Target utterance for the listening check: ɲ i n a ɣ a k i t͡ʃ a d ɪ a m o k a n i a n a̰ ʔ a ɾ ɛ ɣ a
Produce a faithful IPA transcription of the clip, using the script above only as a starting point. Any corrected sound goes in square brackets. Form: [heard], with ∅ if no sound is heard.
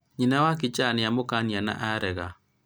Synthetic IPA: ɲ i n a [w] a k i t͡ʃ a [n] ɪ a m o k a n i a n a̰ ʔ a ɾ ɛ ɣ a